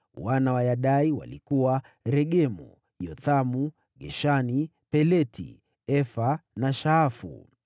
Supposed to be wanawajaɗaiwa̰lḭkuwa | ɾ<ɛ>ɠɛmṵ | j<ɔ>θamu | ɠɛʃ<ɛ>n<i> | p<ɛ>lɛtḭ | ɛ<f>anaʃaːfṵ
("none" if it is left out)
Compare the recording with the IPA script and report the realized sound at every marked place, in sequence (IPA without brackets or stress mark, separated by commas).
ɛ, ɔ, a, i, ɛ, f